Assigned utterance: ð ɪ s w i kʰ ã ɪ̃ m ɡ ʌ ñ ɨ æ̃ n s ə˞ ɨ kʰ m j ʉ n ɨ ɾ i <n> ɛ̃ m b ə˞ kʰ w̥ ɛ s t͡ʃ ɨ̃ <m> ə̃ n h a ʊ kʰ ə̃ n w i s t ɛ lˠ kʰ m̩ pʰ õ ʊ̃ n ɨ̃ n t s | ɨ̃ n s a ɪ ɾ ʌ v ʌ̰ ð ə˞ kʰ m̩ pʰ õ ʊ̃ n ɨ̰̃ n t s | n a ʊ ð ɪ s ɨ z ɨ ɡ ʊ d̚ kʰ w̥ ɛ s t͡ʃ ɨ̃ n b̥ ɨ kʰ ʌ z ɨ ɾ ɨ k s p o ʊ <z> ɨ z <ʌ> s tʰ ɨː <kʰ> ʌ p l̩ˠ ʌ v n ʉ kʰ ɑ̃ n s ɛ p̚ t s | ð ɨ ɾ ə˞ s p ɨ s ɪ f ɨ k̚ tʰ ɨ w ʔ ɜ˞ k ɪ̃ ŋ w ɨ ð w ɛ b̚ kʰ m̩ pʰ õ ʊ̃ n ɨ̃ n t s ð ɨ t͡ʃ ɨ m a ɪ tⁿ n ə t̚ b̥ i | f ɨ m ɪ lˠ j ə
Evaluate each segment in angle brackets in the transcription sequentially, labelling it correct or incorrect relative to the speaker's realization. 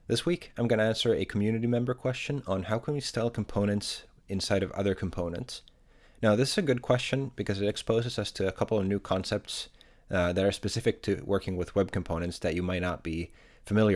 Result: incorrect: m, incorrect: n, correct, correct, correct

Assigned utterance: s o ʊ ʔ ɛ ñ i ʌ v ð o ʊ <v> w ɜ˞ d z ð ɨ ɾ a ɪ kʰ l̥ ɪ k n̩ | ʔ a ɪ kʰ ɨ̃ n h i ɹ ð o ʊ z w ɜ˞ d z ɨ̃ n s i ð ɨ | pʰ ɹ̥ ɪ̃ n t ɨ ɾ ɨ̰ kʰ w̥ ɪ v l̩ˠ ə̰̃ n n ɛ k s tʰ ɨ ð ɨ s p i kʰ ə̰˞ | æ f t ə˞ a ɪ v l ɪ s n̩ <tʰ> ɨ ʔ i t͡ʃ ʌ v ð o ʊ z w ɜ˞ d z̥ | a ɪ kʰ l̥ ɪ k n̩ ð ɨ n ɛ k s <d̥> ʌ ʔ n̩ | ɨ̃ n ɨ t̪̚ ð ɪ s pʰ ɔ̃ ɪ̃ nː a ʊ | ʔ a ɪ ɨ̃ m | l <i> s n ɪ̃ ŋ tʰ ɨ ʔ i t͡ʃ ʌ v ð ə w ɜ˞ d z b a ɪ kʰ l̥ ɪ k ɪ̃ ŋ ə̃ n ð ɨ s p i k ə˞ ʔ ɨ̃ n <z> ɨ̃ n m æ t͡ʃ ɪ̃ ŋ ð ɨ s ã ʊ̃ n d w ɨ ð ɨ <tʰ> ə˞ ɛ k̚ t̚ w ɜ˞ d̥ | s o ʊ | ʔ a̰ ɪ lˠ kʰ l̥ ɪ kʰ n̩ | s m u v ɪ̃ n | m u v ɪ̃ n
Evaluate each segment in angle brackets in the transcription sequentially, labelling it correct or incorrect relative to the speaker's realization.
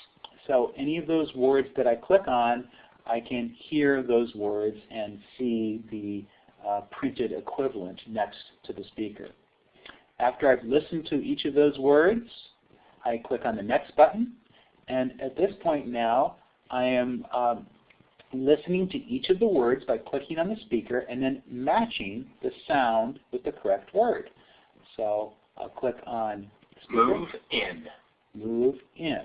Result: incorrect: z, correct, incorrect: b̥, incorrect: ɪ, incorrect: ð, incorrect: kʰ

